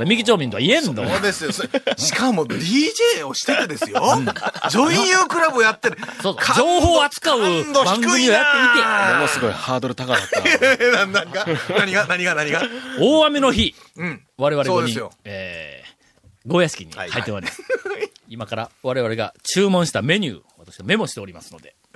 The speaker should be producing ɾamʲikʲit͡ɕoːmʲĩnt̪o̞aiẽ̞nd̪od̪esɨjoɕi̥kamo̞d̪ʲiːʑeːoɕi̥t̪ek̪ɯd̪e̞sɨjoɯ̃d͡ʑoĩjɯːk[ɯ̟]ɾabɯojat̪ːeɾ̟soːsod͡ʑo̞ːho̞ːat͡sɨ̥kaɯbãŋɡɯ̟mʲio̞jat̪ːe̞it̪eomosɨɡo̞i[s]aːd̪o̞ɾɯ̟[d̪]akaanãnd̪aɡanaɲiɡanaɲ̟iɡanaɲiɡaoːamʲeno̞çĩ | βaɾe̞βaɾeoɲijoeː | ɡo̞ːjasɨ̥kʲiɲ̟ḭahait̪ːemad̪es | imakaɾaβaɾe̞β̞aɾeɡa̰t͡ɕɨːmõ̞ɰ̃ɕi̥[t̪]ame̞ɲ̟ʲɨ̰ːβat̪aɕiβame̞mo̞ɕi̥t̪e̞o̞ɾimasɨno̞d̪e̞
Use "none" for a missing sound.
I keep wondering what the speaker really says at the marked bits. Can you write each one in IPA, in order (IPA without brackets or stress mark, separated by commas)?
ɯ̟, h, t̪, t̪